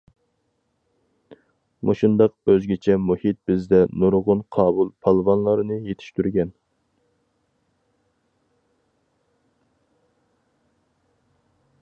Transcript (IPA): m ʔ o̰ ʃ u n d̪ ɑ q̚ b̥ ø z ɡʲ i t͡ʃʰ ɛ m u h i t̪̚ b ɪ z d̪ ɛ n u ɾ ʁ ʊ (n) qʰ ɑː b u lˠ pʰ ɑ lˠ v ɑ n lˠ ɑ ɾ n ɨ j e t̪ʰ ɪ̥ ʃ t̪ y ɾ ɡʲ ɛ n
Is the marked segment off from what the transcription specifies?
no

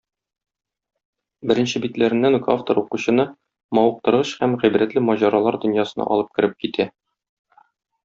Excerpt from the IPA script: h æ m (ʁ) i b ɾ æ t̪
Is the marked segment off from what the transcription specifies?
no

